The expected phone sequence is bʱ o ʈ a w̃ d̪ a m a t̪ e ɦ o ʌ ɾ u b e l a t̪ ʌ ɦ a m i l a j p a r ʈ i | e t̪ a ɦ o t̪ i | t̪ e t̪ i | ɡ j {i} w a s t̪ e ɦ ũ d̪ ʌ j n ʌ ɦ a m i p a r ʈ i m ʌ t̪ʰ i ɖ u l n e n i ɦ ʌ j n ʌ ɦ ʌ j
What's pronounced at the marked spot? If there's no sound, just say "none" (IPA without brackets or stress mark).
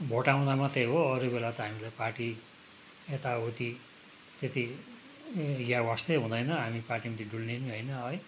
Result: a